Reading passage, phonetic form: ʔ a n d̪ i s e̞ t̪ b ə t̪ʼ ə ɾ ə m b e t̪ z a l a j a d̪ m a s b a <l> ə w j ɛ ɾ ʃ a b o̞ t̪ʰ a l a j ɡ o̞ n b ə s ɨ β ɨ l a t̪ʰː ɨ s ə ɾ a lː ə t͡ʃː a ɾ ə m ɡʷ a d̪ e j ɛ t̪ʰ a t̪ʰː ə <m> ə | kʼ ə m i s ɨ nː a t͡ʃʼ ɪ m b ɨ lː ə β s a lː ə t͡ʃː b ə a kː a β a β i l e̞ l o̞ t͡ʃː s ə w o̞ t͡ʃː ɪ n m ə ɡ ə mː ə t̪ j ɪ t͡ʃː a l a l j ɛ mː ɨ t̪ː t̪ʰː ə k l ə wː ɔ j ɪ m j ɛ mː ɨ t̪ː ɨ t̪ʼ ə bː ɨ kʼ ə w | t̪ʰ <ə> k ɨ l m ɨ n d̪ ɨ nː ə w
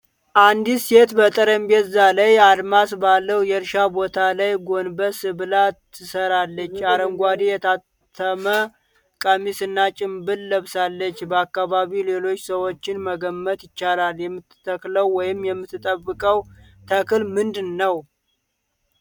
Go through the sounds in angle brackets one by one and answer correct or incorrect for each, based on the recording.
incorrect, correct, correct

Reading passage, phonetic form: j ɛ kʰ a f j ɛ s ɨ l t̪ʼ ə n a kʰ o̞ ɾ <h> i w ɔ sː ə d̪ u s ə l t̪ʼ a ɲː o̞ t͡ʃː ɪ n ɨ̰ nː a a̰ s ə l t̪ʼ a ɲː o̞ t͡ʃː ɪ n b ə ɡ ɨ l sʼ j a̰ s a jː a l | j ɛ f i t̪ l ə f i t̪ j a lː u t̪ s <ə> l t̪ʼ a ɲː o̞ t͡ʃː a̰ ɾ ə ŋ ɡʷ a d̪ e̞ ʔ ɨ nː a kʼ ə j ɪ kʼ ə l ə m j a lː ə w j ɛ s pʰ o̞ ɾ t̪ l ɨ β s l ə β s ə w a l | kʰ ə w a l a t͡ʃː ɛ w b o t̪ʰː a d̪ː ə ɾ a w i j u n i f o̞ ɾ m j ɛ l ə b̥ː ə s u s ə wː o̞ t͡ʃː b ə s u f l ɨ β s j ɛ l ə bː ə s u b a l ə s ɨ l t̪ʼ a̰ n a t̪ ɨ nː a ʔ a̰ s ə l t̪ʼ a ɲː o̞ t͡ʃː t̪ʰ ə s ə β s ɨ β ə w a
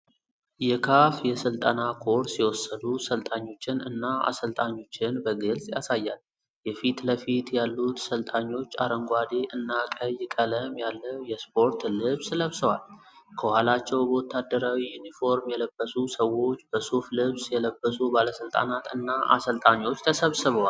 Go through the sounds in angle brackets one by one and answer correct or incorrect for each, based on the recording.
incorrect, correct

